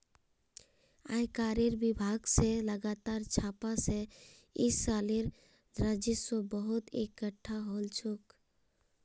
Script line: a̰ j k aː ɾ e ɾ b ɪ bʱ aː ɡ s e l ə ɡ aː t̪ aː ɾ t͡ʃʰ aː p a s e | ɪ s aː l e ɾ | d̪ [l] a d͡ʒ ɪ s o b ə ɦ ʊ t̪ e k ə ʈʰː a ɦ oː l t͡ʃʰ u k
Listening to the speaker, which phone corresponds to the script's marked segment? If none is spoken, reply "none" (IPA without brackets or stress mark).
ɾ